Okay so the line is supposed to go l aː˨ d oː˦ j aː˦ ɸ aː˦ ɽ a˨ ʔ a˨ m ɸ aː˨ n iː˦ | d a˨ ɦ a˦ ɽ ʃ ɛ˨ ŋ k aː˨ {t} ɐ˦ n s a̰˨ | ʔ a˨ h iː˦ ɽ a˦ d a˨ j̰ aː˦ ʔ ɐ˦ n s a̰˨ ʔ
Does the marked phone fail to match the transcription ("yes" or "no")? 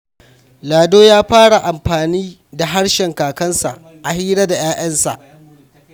yes